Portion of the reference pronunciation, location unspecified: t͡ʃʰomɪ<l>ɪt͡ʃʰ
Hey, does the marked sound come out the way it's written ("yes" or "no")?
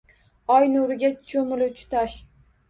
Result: yes